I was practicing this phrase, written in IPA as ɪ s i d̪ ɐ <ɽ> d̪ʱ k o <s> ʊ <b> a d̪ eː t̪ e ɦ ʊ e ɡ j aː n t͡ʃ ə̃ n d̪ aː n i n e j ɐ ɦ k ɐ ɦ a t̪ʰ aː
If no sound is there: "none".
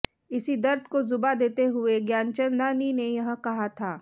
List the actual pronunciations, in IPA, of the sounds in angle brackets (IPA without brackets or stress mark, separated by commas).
ɾ, z, b